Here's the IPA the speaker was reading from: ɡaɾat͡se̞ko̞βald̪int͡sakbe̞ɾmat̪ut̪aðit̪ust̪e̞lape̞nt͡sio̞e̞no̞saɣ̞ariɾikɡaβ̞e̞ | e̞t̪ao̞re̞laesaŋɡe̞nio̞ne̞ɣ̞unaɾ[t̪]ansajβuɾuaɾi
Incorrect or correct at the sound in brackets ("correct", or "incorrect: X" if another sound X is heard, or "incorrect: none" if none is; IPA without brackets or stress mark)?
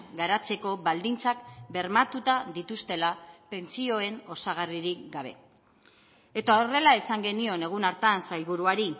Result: correct